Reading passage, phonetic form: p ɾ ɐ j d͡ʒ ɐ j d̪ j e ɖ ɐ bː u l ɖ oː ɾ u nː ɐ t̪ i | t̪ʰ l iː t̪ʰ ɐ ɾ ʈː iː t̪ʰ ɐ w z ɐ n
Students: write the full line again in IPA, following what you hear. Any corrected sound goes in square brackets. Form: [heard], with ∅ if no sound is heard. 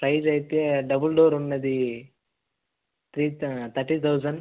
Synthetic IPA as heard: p ɾ ɐ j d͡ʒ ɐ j [t̪] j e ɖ ɐ [b] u l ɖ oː ɾ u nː ɐ [d̪] i | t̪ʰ [ɾ] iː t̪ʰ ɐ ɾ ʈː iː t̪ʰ ɐ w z ɐ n